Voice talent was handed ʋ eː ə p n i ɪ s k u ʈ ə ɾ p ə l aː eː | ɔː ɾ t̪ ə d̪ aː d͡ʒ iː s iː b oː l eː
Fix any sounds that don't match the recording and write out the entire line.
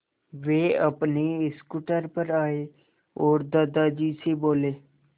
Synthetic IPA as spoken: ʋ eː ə p n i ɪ s k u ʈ ə ɾ p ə ɾ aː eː | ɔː ɾ d̪ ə d̪ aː d͡ʒ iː s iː b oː l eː

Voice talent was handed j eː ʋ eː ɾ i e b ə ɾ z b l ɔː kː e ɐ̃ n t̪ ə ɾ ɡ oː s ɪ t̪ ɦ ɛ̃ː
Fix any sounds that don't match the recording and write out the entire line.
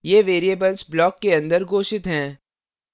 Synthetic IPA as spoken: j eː ʋ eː ɾ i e b ə l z b l ɔː kː e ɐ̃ n d̪ ə ɾ ɡ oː ʃ ɪ t̪ ɦ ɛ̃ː

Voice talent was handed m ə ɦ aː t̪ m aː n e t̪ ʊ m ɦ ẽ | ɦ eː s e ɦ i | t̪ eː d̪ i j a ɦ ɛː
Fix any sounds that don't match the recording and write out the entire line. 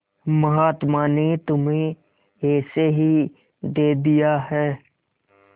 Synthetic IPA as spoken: m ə ɦ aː t̪ m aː n e t̪ ʊ m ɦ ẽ | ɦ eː s e ɦ i | d̪ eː d̪ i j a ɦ ɛː

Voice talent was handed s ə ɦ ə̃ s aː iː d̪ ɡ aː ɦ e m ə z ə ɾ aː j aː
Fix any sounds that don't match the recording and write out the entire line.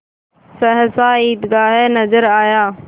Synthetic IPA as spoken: s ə ɦ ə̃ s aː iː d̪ ɡ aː ɦ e n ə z ə ɾ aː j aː

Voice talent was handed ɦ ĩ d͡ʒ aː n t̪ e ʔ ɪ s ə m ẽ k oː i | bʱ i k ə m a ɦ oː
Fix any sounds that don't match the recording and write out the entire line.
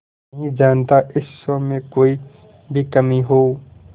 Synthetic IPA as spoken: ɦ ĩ d͡ʒ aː n t̪ a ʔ ɪ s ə m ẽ k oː i | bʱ i k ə m i ɦ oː

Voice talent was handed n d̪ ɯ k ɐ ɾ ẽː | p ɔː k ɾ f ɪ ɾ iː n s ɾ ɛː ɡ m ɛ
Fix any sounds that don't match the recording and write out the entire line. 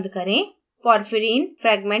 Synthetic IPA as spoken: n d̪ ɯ k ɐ ɾ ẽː | p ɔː ɾ f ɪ ɾ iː n f ɾ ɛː ɡ m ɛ

